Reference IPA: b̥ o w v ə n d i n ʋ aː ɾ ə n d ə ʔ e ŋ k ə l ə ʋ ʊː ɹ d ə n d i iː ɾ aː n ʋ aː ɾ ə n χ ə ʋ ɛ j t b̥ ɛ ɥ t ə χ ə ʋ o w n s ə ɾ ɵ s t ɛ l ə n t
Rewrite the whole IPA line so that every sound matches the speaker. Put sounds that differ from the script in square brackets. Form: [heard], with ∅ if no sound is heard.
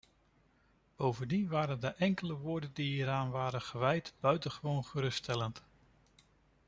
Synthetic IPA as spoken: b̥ o w v ə n d i n ʋ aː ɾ ə n d ə ʔ [ɛ] ŋ k ə l ə ʋ ʊː ɹ d ə n d i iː ɾ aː n ʋ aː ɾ ə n χ ə ʋ ɛ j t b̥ [œ] ɥ t ə χ ə ʋ o w n [χ] ə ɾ ɵ s t ɛ l ə n t